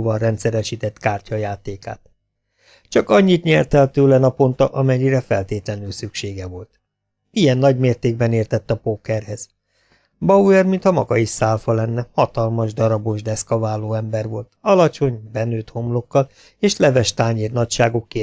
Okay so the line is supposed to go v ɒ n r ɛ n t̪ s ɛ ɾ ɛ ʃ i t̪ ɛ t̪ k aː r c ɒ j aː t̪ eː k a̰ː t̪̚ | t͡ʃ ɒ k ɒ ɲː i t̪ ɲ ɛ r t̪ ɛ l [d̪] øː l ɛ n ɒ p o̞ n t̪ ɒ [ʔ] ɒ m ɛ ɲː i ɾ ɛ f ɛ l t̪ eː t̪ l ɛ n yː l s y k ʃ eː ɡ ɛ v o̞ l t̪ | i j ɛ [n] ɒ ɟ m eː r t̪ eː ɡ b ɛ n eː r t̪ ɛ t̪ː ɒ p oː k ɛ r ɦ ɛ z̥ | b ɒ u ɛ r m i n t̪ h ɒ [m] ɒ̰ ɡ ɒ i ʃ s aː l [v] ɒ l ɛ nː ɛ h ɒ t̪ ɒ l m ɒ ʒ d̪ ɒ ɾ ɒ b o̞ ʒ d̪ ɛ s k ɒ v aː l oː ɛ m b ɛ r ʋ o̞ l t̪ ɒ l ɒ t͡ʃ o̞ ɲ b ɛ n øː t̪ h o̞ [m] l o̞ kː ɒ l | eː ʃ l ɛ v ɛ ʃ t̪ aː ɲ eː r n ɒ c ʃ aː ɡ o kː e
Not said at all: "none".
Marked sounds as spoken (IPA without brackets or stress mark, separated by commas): t̪, ʔ, nː, m, f, m